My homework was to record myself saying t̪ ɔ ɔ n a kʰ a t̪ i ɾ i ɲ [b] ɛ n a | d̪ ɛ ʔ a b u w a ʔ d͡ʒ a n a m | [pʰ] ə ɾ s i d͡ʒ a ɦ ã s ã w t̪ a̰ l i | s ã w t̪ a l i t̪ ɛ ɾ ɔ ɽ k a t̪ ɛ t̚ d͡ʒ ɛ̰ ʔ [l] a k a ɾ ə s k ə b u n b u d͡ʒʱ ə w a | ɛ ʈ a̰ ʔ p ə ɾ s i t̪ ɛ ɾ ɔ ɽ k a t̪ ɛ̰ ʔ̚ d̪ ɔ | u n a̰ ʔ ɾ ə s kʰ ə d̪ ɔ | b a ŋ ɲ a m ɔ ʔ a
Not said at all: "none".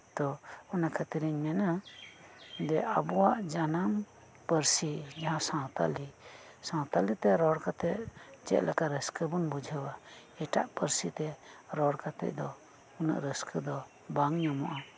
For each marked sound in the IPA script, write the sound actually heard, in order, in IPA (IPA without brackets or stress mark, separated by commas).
m, p, l